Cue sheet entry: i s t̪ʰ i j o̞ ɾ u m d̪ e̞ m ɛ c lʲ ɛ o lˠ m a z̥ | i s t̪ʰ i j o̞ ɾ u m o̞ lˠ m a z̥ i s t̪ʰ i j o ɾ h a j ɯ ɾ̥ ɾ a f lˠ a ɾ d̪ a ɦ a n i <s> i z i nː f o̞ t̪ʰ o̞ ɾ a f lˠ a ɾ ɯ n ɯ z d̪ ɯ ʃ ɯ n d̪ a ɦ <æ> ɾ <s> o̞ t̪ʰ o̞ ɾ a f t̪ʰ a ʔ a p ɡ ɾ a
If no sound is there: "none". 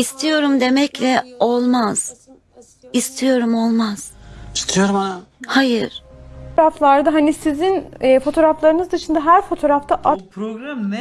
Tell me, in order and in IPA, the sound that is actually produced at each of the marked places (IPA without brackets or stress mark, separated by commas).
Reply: s, æ, f